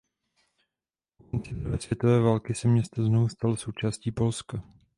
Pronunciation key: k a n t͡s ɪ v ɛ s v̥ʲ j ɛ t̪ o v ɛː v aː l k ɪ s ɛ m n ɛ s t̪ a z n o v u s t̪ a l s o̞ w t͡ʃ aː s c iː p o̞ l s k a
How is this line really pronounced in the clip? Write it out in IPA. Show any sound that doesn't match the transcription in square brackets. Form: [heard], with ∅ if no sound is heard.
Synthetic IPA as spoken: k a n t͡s ɪ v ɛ s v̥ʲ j ɛ t̪ o v ɛː v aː l k ɪ s ɛ m [ɲ] ɛ s t̪ a z n o v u s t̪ a l s o̞ w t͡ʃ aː s c iː p o̞ l s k a